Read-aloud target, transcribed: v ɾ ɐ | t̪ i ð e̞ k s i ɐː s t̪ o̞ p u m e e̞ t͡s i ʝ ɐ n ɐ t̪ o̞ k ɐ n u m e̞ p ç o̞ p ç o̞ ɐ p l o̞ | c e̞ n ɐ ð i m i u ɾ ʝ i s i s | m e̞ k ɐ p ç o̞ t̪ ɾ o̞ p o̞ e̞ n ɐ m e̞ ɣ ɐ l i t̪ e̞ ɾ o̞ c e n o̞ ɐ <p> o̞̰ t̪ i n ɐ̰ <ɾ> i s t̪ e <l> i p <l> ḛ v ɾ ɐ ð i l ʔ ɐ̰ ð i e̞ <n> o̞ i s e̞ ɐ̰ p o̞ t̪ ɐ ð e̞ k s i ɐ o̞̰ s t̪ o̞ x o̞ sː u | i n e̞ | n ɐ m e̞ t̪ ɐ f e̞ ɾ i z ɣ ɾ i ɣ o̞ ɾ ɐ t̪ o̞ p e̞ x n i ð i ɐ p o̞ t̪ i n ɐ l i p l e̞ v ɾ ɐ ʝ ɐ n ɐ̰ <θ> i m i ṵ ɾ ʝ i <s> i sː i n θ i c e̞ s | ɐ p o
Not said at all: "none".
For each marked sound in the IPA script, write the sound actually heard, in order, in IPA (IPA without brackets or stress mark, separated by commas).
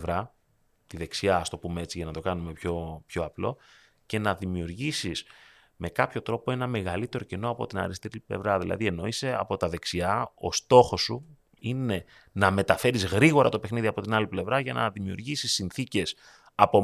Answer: p, ɾ, ɾ, l, n, ð, s